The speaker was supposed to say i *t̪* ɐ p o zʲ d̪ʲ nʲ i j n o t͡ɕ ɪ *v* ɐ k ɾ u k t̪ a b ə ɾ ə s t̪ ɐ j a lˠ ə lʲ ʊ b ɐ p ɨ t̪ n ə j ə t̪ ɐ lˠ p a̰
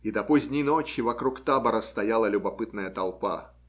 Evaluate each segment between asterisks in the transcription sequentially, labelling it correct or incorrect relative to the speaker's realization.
incorrect: d̪, correct

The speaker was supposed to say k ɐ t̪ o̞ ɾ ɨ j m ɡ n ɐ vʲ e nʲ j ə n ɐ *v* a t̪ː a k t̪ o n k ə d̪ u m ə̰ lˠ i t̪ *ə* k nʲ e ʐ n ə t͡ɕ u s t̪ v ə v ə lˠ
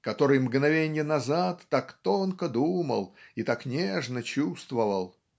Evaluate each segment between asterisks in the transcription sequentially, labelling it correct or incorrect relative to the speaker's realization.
incorrect: z, incorrect: a

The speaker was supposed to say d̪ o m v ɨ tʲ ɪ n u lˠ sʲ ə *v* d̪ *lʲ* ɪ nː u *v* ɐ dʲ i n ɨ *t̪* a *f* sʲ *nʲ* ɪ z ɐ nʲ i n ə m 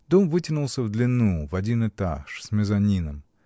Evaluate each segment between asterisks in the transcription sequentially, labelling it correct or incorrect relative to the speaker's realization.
correct, correct, correct, correct, incorrect: ʂ, incorrect: mʲ

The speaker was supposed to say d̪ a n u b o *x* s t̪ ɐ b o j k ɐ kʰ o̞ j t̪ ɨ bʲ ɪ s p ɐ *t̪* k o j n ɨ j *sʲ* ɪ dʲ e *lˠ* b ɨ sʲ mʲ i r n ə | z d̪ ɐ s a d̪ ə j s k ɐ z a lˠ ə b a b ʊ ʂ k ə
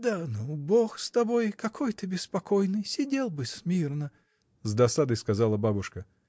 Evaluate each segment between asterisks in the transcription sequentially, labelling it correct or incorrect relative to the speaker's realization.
correct, incorrect: none, correct, correct

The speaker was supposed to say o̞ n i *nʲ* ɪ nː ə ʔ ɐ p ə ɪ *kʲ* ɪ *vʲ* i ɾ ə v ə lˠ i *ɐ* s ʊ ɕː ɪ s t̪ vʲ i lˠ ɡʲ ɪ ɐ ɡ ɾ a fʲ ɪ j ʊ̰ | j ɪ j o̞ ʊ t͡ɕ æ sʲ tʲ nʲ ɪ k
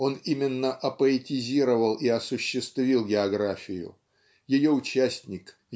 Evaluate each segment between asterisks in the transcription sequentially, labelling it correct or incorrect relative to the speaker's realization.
incorrect: mʲ, incorrect: tʲ, incorrect: zʲ, correct

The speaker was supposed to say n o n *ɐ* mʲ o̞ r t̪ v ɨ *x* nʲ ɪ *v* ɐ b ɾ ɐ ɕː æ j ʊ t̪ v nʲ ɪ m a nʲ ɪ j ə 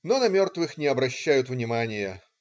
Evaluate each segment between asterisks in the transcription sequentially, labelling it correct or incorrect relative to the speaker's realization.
correct, correct, incorrect: none

